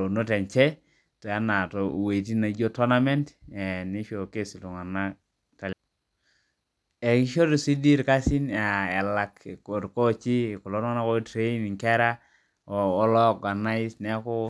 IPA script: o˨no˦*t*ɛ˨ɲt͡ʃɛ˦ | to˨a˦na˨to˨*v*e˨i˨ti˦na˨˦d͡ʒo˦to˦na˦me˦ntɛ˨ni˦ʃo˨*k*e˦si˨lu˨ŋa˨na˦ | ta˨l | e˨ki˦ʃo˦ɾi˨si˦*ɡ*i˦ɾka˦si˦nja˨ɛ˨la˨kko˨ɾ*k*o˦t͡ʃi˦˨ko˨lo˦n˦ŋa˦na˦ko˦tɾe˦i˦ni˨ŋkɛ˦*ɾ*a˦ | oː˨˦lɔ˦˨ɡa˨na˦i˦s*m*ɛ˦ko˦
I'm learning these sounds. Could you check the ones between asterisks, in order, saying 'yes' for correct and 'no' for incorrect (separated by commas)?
yes, no, yes, no, yes, yes, no